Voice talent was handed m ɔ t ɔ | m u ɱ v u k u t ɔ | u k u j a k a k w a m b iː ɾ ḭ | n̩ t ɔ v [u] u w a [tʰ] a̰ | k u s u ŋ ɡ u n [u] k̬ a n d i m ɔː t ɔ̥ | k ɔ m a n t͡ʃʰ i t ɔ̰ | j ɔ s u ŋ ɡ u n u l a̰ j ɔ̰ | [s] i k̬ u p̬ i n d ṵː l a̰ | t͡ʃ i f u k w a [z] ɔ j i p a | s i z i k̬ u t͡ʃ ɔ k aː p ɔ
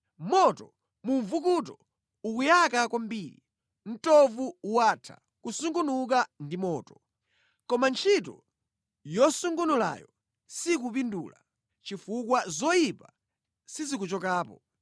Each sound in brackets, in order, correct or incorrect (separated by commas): correct, correct, correct, correct, correct